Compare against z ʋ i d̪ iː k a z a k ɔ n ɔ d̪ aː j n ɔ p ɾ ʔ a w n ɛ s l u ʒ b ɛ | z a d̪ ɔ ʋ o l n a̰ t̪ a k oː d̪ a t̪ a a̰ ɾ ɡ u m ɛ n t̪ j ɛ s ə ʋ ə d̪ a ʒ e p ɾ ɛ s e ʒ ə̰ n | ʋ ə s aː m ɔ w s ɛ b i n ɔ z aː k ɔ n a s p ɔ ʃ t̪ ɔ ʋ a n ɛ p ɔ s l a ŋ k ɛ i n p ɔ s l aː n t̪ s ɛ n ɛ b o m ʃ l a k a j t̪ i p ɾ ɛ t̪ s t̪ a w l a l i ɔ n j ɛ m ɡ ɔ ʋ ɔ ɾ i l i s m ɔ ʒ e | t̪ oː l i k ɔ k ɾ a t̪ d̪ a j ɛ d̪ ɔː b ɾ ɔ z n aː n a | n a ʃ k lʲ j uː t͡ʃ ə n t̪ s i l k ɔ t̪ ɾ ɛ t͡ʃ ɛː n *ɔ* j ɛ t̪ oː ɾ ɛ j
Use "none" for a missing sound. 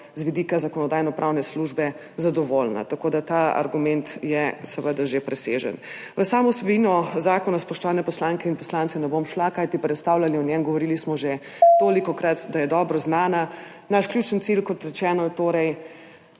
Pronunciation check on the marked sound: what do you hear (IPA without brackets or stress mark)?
ɔ